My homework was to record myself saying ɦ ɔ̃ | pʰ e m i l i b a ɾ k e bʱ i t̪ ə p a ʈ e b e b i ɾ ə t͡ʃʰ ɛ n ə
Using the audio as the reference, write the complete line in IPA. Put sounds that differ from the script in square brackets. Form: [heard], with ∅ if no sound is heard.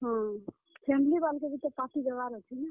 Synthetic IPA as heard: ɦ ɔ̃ | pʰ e m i l i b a [l] k e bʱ i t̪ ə p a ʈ [i] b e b [a] ɾ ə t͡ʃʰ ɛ n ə